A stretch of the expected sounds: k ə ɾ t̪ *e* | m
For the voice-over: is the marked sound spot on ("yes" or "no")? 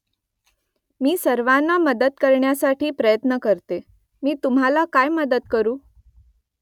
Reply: yes